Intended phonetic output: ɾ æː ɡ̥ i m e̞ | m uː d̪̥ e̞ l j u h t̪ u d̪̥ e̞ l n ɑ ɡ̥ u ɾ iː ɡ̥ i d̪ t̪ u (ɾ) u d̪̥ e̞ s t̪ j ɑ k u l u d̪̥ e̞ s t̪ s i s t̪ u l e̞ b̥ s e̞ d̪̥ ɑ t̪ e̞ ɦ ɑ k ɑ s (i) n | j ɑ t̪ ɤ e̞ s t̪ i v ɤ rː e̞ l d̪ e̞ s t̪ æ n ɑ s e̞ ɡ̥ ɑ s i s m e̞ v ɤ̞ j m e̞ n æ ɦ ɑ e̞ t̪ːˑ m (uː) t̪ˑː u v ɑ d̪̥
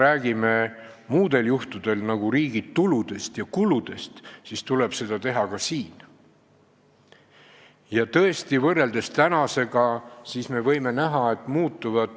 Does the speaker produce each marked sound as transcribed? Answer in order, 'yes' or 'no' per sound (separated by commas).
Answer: no, no, yes